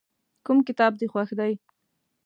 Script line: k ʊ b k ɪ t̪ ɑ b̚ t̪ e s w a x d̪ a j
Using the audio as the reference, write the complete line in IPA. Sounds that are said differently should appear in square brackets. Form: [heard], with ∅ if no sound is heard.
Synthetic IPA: k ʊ [m] k ɪ t̪ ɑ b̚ [d̪] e [x] w a x d̪ a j